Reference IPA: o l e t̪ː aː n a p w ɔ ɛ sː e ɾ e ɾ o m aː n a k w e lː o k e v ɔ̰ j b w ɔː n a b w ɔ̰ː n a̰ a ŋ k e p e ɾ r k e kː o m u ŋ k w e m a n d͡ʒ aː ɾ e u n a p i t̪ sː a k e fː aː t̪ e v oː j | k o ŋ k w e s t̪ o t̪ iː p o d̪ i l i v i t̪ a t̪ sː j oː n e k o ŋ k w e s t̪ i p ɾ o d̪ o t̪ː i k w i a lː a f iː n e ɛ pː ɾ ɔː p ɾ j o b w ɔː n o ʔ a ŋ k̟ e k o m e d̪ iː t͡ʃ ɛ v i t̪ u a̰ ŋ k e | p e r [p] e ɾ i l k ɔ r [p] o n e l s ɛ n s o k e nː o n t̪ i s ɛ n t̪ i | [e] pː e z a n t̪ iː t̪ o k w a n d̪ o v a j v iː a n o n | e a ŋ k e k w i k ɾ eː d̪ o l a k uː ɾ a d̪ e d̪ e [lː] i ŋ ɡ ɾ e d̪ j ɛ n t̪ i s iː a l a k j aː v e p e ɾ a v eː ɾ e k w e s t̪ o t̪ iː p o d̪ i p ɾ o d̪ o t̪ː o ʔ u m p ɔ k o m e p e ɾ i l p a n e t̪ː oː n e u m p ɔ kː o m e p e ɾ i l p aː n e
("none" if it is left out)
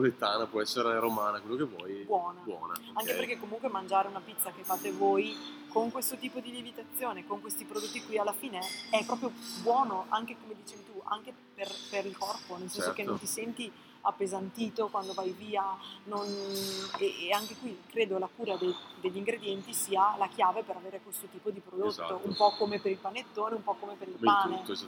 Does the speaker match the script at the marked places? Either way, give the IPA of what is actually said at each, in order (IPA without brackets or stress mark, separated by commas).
p, p, a, ʎː